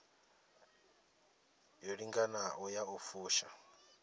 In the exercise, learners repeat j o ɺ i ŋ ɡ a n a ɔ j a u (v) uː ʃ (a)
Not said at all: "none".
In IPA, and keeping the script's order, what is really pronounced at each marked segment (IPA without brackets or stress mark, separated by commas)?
f, a